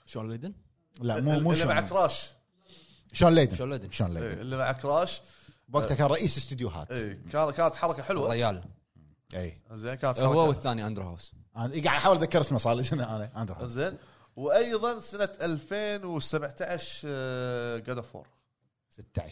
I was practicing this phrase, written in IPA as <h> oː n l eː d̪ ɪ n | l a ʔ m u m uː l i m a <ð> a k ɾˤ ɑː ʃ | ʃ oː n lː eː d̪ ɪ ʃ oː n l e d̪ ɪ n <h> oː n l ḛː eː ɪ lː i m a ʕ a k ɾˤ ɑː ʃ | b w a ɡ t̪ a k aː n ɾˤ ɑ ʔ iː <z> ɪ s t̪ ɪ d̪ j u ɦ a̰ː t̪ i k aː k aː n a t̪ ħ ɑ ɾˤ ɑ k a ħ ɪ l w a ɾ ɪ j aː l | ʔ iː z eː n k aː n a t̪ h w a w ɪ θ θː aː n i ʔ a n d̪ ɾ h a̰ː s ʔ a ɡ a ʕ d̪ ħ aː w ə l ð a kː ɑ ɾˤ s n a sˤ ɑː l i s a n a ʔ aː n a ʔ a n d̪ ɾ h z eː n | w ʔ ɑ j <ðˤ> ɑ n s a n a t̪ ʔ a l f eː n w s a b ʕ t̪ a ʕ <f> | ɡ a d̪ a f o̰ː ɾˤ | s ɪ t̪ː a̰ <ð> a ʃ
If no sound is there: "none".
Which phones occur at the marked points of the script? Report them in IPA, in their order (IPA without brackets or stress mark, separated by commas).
ʃ, ʕ, ʃ, s, ðˤ, ʃ, ʕ